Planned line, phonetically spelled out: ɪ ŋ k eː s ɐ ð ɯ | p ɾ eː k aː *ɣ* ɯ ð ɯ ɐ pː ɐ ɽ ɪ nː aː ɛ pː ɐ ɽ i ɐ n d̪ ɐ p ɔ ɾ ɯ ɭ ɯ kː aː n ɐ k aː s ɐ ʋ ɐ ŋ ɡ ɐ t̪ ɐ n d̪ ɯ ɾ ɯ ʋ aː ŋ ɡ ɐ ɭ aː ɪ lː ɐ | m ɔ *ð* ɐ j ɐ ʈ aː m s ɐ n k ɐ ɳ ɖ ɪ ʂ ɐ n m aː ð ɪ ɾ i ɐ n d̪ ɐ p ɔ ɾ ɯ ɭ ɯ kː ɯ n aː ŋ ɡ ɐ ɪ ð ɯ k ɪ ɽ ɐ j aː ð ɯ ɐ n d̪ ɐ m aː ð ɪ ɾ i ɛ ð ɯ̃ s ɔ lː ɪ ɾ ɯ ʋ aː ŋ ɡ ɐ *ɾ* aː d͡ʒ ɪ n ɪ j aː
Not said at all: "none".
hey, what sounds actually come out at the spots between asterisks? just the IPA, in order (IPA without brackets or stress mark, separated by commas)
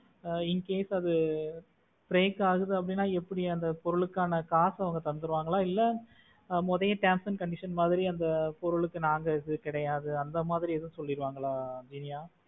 ɣ, ð, ɭ